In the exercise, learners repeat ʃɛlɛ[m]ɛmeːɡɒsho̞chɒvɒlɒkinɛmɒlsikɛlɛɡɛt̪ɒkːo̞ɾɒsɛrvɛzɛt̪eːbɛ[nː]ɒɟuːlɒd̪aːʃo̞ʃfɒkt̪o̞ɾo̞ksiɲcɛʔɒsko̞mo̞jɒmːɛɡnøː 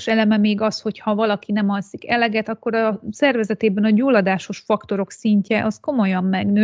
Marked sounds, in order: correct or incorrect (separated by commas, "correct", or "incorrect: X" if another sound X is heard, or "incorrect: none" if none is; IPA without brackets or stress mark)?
correct, incorrect: n